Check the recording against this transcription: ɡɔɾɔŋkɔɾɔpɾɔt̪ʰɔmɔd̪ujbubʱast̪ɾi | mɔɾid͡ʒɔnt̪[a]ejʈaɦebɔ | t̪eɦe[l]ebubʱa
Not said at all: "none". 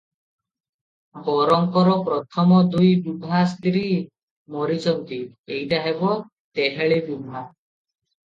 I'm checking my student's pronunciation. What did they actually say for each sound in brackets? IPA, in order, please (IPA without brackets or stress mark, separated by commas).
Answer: i, ɭ